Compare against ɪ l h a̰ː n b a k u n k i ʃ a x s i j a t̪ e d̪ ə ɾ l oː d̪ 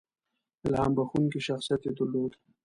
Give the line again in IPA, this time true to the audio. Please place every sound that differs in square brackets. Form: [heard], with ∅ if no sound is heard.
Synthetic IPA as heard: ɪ l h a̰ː [m] b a [x] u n k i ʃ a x s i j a t̪ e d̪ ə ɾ l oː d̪